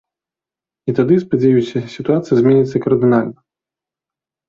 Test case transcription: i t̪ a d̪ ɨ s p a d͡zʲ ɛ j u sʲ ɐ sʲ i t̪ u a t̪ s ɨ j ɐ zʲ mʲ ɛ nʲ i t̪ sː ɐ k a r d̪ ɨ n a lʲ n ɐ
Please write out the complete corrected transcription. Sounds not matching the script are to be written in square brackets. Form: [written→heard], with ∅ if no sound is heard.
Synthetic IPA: i t̪ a d̪ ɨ s p a d͡zʲ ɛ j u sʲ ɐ sʲ i t̪ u a t̪ s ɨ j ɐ zʲ mʲ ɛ nʲ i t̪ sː ɐ k [a→ɐ] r d̪ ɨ n a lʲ n ɐ